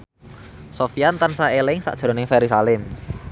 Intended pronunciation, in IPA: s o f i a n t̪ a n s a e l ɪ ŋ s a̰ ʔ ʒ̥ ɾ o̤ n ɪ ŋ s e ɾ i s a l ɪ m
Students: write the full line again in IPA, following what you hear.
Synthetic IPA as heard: s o f i a n t̪ a n s a e l ɪ ŋ s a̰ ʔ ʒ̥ ɾ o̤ n ɪ ŋ f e ɾ i s a l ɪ m